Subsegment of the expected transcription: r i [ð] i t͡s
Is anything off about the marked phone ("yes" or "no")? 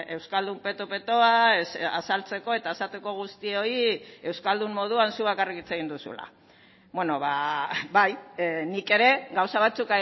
yes